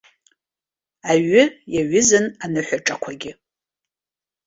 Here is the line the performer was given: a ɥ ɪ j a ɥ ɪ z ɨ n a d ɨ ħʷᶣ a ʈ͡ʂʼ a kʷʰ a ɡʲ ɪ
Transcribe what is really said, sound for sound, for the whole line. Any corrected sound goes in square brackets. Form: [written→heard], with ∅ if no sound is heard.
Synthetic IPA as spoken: a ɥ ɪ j a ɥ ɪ z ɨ n a [d→n] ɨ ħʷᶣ a ʈ͡ʂʼ a kʷʰ a ɡʲ ɪ